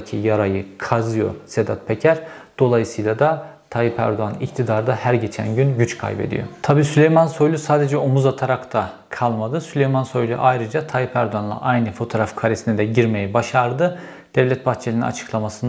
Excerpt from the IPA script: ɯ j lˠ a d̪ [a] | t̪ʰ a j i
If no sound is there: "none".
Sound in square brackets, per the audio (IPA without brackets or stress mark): a